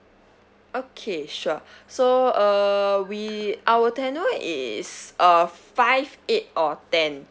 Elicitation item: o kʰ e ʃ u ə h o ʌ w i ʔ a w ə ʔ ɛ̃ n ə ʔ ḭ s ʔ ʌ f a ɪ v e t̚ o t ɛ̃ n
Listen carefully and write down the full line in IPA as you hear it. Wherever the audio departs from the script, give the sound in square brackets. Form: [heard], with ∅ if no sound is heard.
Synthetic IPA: o kʰ e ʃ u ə [s] o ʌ w i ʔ a w ə [t] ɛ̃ n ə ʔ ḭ s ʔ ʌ f a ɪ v e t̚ [ɔ] t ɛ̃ n